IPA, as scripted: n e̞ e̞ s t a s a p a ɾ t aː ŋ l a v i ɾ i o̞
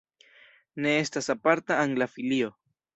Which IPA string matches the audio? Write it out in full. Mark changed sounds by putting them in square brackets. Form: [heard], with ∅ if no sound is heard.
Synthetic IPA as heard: n e̞ e̞ s t a s a p a ɾ t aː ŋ l a [f] i [l] i o̞